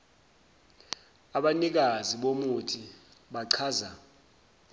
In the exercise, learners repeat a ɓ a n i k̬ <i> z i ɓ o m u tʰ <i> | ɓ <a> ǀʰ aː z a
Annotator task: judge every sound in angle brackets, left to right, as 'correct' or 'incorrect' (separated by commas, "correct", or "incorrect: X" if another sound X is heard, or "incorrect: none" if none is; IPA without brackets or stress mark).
incorrect: a, correct, correct